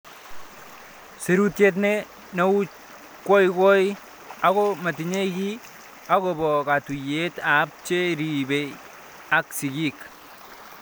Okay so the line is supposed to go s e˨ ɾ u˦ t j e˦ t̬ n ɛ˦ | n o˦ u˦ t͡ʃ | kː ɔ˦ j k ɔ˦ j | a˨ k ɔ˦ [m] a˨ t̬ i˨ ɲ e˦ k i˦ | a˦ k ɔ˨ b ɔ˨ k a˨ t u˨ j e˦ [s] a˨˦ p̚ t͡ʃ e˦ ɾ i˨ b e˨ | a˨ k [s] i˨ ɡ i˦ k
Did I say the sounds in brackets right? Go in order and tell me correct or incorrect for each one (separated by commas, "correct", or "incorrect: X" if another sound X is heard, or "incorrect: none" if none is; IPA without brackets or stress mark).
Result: correct, incorrect: t, correct